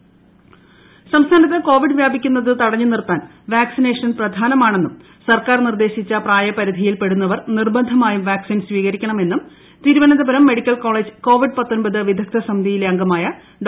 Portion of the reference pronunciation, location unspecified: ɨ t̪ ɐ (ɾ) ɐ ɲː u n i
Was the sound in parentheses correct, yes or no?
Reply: no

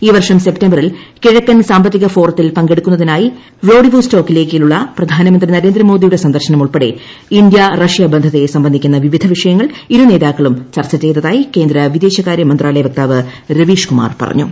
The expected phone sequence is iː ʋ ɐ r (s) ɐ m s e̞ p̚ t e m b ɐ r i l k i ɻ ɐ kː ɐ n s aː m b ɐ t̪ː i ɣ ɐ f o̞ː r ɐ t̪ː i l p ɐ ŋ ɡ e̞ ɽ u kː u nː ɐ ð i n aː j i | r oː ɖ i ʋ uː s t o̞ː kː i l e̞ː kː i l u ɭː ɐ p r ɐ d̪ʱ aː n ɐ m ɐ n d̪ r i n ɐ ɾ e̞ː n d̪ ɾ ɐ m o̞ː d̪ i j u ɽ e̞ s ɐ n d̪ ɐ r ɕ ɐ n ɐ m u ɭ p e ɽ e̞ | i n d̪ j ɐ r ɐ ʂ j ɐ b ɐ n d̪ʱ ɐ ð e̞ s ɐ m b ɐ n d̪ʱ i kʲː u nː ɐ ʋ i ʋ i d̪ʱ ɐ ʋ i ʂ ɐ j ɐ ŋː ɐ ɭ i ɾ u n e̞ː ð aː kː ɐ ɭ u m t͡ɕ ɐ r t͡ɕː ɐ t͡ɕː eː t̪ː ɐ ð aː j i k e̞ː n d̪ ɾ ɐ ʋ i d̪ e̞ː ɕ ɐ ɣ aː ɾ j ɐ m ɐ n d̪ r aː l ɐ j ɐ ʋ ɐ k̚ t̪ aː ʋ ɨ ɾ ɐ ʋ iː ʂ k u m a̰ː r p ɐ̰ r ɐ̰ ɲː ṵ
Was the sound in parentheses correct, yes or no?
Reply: no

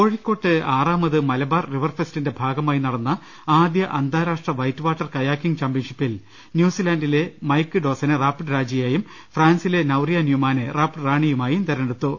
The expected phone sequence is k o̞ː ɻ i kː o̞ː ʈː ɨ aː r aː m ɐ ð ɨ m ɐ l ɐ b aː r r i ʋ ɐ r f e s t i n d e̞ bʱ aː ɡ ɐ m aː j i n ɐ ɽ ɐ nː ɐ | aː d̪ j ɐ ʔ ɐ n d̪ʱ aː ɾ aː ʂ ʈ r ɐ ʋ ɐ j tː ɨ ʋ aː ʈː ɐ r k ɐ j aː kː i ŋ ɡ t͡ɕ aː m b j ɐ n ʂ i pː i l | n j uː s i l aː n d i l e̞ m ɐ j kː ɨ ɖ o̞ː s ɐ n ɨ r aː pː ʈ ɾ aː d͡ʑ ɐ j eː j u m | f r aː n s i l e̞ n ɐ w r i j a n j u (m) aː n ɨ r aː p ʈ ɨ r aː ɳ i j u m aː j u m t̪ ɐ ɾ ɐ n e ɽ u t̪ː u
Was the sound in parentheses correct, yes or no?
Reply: yes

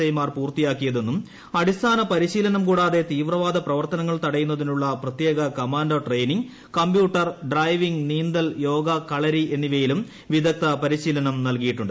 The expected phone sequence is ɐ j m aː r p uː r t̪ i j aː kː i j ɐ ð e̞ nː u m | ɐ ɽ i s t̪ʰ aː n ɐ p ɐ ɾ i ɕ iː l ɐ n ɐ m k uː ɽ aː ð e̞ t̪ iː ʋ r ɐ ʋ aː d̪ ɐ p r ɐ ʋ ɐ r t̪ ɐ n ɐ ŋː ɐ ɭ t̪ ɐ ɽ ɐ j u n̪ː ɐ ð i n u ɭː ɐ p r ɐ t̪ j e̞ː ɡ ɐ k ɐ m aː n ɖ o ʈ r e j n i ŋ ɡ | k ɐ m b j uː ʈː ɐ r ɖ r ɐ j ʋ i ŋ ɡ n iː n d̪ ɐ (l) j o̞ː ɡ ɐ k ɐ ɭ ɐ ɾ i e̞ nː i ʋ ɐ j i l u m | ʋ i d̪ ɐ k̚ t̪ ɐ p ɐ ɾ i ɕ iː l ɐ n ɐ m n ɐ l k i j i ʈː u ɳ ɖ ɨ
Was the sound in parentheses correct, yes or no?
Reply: yes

